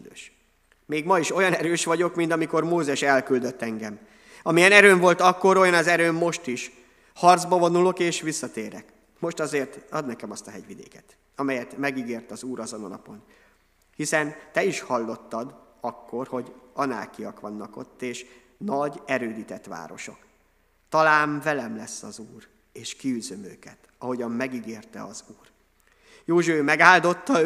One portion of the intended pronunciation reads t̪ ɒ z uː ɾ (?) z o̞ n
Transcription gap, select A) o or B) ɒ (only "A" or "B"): B